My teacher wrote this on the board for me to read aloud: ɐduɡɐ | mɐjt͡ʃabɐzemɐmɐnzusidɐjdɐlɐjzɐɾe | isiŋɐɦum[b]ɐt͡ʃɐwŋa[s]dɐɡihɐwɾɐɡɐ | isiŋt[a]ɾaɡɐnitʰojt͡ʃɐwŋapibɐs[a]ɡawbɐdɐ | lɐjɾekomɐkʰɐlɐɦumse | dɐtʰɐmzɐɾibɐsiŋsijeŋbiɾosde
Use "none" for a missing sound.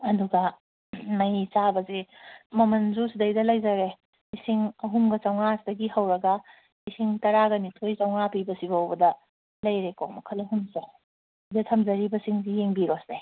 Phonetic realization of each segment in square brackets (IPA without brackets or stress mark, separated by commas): ɡ, s, ɐ, i